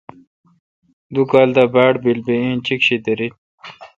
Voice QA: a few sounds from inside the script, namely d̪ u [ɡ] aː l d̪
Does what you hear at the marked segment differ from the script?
yes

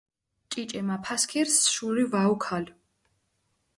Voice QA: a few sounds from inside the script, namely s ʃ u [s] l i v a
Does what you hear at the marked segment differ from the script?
yes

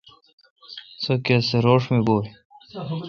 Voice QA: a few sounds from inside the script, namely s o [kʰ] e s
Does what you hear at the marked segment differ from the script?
yes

